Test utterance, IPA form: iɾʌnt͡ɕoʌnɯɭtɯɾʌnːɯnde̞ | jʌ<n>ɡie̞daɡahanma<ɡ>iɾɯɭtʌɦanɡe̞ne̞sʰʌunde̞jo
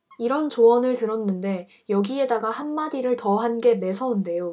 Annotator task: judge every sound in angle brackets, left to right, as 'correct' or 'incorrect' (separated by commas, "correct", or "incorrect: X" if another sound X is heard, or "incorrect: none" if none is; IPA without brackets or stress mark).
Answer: incorrect: none, incorrect: d